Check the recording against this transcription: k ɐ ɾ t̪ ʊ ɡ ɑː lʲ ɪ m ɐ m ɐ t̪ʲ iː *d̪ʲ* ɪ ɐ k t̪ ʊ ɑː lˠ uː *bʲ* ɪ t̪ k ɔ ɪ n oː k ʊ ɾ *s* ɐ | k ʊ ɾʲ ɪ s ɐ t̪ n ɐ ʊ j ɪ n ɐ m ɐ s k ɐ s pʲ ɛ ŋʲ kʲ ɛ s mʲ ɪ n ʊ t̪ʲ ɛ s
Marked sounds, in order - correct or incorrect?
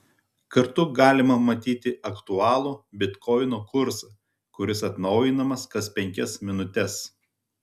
incorrect: t̪ʲ, correct, correct

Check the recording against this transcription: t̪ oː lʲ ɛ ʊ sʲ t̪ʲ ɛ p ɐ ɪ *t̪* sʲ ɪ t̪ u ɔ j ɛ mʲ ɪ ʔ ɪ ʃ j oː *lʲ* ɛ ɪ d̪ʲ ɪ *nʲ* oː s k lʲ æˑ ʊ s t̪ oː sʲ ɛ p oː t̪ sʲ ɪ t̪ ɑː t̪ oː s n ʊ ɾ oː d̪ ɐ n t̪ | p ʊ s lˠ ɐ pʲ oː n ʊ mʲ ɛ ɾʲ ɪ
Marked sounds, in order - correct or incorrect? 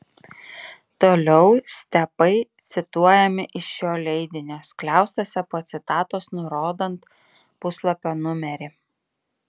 correct, correct, correct

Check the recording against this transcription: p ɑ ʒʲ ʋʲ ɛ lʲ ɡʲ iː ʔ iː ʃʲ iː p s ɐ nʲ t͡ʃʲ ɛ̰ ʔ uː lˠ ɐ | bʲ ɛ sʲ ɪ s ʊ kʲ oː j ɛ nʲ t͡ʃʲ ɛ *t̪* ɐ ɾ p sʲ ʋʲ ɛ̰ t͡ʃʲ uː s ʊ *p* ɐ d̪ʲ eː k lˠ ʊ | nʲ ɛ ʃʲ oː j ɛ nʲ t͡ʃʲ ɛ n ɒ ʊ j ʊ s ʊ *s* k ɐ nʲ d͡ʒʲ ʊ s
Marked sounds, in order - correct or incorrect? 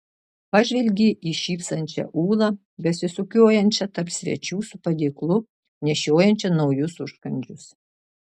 correct, correct, incorrect: ʃ

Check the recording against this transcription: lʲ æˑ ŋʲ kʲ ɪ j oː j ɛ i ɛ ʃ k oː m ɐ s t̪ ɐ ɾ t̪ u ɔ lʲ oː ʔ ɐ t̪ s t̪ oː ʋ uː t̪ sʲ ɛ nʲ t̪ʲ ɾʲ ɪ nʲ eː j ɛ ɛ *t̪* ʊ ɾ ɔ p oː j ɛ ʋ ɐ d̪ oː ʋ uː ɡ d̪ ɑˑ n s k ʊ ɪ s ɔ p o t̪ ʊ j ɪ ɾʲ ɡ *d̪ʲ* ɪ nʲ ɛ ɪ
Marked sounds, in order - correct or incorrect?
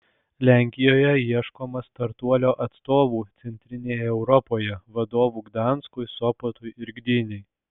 incorrect: none, correct

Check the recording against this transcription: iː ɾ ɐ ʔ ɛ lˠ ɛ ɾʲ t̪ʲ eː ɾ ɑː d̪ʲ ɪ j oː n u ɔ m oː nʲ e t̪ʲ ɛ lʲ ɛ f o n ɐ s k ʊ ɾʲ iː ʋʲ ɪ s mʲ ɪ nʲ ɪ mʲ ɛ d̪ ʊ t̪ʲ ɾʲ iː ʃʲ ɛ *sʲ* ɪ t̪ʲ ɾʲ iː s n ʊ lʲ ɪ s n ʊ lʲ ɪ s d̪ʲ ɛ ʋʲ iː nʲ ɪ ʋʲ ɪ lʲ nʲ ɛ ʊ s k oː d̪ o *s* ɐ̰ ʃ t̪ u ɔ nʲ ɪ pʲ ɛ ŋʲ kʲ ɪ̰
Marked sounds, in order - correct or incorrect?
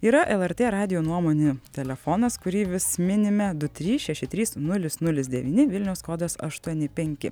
incorrect: ʃʲ, correct

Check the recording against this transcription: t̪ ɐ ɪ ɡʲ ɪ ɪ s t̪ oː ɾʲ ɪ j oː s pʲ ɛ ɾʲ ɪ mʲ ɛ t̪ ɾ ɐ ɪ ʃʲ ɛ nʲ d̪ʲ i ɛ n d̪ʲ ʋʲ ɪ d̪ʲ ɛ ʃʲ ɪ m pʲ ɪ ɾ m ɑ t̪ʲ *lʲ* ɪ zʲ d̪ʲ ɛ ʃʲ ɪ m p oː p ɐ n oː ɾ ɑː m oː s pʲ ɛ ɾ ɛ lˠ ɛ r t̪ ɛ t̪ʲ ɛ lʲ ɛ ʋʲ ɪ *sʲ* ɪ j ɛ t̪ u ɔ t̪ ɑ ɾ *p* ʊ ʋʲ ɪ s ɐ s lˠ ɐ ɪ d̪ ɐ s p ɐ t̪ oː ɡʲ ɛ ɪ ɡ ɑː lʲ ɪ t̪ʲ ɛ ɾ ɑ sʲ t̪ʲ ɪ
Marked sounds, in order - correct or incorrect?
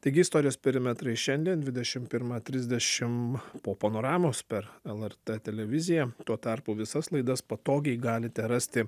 incorrect: ɾʲ, incorrect: zʲ, correct

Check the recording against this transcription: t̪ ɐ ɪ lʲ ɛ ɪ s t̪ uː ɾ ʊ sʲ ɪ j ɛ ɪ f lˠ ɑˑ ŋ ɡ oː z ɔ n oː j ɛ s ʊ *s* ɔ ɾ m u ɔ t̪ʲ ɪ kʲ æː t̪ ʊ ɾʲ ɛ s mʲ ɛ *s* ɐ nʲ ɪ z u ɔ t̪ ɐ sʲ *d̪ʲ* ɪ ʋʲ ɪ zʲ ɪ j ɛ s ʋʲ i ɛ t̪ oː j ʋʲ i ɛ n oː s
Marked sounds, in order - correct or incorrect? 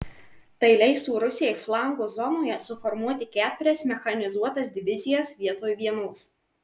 incorrect: f, incorrect: x, correct

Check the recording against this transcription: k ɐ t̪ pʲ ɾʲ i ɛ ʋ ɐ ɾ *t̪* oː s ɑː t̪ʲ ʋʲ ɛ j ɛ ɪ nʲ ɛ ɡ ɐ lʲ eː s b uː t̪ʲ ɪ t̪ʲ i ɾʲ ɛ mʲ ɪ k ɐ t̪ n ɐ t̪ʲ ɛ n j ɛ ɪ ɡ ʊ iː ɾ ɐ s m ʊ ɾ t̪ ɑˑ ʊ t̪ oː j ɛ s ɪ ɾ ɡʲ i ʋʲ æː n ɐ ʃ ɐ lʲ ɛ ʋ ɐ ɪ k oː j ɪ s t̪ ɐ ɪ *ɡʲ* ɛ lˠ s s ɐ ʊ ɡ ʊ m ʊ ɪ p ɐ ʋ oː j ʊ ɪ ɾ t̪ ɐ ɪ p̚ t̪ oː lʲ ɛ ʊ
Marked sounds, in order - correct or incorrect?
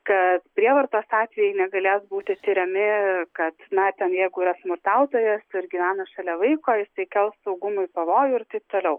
correct, incorrect: kʲ

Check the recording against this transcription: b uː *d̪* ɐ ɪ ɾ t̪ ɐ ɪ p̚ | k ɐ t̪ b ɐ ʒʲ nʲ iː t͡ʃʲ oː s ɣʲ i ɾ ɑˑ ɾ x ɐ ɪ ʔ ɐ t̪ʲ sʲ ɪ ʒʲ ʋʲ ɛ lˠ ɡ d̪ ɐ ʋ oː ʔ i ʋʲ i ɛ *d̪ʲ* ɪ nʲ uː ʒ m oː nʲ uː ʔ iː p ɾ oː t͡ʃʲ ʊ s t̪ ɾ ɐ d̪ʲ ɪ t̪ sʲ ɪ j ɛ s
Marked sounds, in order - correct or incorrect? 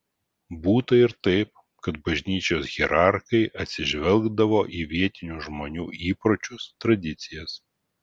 incorrect: t̪, incorrect: t̪ʲ

